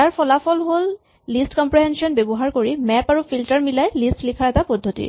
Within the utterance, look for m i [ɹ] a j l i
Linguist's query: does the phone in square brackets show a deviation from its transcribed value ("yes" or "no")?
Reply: yes